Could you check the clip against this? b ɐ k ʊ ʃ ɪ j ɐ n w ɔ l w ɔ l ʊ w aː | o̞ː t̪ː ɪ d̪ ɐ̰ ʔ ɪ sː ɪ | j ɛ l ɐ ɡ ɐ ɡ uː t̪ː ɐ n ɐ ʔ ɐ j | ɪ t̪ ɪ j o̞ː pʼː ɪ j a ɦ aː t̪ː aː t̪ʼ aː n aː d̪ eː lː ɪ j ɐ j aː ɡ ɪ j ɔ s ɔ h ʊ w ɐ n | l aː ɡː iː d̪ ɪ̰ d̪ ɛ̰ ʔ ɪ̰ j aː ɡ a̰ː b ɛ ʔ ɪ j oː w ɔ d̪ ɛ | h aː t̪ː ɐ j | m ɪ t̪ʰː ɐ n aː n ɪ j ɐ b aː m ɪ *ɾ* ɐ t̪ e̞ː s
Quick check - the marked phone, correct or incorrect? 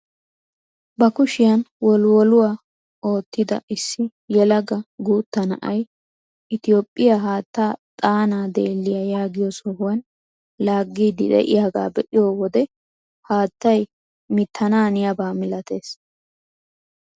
incorrect